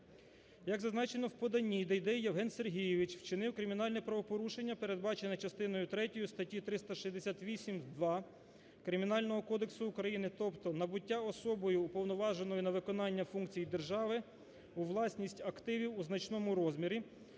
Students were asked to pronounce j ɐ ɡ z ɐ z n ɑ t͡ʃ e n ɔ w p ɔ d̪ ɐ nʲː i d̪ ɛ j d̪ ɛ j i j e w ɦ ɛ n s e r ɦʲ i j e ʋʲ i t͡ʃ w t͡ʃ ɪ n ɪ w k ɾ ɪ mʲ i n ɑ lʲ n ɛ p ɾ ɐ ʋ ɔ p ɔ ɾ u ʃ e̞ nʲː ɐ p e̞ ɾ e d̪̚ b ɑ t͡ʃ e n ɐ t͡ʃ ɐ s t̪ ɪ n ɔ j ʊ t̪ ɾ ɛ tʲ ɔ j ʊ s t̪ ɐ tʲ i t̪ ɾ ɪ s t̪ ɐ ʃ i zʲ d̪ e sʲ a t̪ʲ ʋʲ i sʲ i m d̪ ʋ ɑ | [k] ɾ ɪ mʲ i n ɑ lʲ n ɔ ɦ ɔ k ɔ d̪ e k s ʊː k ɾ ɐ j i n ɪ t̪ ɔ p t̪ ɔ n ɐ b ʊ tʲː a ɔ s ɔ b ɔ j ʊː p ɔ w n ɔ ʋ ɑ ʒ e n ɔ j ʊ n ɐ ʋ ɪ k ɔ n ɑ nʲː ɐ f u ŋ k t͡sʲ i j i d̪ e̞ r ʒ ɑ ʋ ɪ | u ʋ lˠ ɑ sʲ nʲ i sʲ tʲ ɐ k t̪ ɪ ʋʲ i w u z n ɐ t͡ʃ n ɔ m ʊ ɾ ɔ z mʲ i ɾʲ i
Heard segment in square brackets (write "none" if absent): k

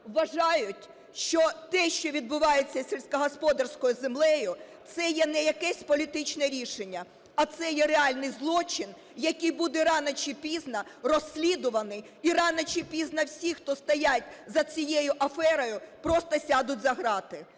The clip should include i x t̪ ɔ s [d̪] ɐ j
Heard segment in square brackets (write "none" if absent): t̪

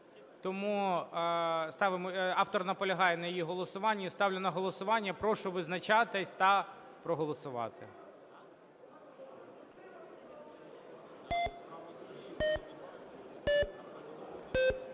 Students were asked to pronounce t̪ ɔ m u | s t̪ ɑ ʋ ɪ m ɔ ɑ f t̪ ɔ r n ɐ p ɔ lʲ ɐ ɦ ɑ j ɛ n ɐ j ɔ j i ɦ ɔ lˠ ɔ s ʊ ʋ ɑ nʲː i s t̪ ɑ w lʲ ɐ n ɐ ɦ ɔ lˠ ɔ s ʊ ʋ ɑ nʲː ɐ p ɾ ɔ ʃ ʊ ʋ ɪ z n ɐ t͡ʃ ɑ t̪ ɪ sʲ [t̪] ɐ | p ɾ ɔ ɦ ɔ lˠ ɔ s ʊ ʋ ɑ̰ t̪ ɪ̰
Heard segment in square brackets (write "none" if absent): t̪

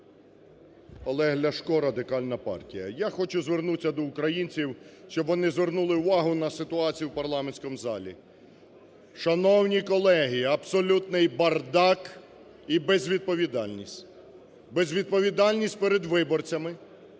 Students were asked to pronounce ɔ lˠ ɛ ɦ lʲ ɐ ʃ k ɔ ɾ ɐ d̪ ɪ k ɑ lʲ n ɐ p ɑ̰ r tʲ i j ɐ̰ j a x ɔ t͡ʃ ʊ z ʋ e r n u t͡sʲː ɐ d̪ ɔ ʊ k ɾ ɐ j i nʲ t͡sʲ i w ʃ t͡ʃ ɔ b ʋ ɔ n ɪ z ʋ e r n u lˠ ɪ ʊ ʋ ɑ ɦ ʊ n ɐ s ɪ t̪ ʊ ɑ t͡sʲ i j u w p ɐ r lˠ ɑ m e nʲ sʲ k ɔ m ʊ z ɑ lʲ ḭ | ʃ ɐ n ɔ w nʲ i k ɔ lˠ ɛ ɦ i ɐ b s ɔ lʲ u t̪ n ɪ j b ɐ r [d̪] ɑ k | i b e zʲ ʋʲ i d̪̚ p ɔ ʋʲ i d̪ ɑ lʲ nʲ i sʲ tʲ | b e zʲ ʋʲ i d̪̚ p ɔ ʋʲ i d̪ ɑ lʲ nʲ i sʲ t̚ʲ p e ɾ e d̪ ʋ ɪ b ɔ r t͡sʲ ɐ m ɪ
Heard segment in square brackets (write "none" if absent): d̪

